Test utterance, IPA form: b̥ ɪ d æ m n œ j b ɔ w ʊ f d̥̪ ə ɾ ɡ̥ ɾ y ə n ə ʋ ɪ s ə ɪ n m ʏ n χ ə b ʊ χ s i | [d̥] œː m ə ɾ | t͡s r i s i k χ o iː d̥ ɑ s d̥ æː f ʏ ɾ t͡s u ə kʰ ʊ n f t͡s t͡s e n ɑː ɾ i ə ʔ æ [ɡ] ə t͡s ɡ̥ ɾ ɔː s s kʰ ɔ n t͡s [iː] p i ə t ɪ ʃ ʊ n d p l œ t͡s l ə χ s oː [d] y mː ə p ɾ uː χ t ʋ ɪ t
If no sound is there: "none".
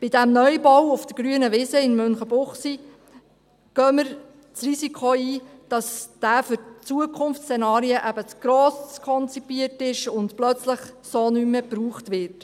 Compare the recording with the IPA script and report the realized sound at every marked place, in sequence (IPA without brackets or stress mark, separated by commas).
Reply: ɡ̥, b, i, n